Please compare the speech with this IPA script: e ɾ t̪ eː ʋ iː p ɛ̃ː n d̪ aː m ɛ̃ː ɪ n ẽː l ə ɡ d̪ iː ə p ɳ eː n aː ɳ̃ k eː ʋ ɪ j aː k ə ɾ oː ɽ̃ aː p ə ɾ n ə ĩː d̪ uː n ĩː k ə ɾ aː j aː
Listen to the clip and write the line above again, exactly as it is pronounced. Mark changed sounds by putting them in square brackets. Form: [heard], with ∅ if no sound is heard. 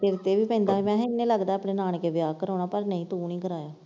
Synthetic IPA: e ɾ t̪ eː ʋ iː p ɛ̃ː n d̪ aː m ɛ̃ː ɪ n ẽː l ə ɡ d̪ [aː] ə p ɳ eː n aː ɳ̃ k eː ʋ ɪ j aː k ə ɾ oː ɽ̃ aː p ə ɾ n ə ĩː [t̪] uː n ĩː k ə ɾ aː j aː